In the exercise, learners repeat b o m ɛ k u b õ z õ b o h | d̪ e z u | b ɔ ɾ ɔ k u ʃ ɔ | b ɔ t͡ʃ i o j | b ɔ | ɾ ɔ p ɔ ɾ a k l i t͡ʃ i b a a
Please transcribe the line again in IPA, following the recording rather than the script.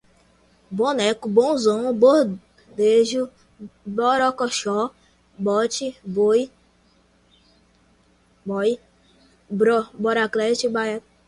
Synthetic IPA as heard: b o n ɛ k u b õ z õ b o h | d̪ e ʒ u | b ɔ ɾ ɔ k ɔ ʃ ɔ | b ɔ t͡ʃ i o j | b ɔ | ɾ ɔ b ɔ ɾ a k l ɛ t͡ʃ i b a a